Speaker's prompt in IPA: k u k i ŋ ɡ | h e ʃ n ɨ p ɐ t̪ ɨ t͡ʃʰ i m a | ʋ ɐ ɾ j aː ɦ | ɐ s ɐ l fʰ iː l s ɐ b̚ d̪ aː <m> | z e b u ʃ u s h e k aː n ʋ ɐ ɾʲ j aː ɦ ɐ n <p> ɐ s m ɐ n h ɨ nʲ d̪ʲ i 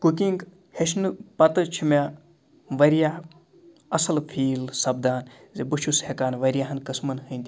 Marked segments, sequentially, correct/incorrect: incorrect, incorrect

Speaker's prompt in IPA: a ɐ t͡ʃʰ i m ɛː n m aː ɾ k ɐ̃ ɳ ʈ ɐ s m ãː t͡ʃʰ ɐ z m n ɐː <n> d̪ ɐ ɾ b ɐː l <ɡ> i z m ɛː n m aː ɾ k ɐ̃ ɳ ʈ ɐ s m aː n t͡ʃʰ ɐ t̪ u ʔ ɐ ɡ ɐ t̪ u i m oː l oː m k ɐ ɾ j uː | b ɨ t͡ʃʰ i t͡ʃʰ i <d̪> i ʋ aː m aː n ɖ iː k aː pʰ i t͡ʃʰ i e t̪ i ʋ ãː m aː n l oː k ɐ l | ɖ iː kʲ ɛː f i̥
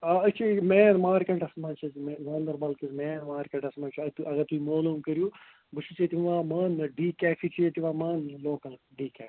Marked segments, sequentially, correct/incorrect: correct, incorrect, incorrect

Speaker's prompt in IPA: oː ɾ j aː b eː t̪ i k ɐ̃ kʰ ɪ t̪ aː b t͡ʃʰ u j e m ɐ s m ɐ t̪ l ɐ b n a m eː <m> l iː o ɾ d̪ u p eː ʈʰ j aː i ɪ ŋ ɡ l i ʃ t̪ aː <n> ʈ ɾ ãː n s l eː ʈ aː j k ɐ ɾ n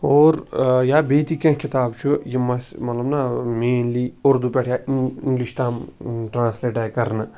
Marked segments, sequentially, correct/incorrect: incorrect, incorrect

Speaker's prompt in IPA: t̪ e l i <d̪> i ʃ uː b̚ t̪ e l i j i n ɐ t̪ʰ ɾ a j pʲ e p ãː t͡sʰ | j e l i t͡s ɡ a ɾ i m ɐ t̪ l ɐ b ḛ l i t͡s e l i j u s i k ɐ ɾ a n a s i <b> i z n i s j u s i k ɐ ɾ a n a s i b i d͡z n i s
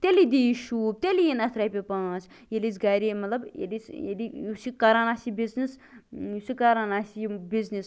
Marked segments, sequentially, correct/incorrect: correct, correct

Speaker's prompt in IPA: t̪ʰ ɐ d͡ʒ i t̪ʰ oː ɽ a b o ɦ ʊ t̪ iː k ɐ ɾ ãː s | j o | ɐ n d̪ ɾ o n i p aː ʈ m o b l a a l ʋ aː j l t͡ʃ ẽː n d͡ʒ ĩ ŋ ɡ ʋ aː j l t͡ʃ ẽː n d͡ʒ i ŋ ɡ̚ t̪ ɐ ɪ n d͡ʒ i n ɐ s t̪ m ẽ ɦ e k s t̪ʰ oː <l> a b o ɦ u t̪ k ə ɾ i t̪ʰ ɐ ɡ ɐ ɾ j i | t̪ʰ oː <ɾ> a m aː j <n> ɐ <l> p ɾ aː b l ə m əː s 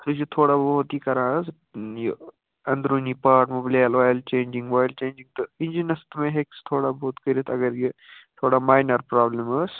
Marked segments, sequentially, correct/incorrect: incorrect, incorrect, correct, incorrect

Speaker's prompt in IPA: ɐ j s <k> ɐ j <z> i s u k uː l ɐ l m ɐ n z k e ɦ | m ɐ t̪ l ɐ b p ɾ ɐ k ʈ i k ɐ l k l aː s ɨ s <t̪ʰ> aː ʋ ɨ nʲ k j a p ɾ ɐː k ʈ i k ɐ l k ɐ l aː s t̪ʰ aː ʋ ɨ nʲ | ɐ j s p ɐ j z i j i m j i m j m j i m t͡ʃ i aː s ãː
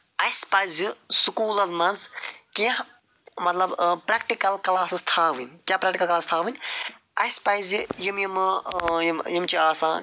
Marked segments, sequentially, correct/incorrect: incorrect, correct, correct

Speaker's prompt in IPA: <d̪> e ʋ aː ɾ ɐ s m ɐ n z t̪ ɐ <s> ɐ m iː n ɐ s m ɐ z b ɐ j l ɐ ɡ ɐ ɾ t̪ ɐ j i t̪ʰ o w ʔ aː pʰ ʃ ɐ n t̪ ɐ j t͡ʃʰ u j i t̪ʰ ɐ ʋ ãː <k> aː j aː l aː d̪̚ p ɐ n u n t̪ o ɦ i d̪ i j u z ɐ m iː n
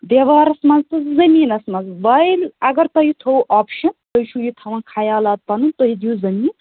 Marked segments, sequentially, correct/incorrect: correct, incorrect, incorrect

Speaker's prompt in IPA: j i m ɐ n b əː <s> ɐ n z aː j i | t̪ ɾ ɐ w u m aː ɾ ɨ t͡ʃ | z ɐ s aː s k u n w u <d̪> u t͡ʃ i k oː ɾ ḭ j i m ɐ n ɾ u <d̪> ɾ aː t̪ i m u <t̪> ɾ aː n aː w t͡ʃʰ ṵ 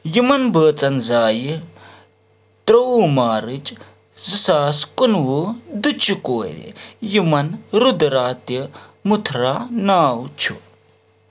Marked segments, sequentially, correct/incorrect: incorrect, correct, correct, incorrect

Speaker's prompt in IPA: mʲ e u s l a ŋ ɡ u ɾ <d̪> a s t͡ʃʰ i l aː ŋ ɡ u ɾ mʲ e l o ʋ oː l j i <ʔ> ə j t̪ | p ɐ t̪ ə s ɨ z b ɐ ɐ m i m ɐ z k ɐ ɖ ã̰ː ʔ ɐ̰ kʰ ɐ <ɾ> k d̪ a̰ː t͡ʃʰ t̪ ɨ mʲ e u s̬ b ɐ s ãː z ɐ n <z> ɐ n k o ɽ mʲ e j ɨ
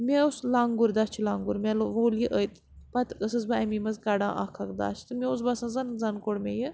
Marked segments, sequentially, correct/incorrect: correct, correct, incorrect, correct

